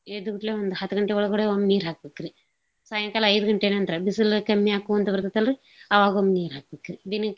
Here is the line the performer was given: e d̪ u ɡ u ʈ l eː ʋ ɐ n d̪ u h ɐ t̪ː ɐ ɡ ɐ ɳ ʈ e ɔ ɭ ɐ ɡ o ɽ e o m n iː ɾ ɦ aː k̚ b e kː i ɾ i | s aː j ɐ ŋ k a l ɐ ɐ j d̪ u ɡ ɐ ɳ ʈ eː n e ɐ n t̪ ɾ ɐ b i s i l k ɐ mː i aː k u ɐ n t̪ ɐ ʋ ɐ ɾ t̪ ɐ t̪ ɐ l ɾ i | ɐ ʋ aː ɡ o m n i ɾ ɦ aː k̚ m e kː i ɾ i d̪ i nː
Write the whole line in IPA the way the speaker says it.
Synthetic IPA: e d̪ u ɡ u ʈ l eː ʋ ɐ n d̪ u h ɐ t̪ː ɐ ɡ ɐ ɳ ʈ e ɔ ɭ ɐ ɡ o ɽ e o m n iː ɾ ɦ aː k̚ b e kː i ɾ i | s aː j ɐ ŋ k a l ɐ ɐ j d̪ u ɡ ɐ ɳ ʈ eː n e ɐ n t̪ ɾ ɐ b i s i l k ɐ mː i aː k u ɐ n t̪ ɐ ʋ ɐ ɾ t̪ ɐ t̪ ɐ l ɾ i | ɐ ʋ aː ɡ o m n iː ɾ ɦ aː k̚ b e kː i ɾ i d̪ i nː